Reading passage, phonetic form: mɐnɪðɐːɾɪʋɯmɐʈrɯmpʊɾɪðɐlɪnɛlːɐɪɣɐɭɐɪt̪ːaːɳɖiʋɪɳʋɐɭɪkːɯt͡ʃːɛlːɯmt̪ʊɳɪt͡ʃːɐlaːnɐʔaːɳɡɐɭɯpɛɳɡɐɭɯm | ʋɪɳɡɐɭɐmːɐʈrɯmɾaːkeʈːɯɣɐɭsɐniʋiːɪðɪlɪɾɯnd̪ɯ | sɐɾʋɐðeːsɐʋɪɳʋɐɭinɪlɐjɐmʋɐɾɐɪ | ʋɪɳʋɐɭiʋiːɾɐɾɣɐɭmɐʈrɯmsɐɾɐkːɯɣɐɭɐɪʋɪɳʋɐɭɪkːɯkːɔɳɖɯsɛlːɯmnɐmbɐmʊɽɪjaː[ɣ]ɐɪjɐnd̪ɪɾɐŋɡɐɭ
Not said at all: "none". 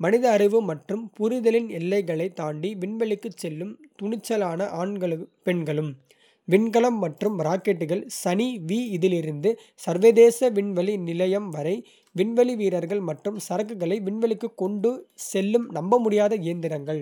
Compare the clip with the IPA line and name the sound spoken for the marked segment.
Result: ð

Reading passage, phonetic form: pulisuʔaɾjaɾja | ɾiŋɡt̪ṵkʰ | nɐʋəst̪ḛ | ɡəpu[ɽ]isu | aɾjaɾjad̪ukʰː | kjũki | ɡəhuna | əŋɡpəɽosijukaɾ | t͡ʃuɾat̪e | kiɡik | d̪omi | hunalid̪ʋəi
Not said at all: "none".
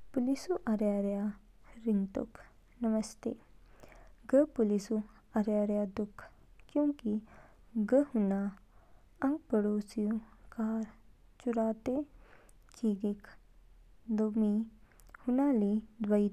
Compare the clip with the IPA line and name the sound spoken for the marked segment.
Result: l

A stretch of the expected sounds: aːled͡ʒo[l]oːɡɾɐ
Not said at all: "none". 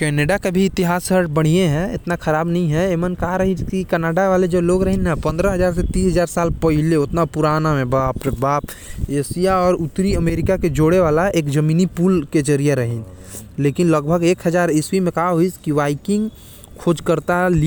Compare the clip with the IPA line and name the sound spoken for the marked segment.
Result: l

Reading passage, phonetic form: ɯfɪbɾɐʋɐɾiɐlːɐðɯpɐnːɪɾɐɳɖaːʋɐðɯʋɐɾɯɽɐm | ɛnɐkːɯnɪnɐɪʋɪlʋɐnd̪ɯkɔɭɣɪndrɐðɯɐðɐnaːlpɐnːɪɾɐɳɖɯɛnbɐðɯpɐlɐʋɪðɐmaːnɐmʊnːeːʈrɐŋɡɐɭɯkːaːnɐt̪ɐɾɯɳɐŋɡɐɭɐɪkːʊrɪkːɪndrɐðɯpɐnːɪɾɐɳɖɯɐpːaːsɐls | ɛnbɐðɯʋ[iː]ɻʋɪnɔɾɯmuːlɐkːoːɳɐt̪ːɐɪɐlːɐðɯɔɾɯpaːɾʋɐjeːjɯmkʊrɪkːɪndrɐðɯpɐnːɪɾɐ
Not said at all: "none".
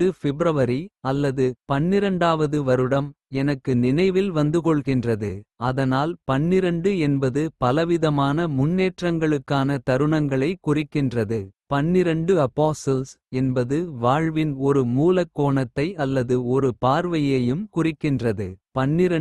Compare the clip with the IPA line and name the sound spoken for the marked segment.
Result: aː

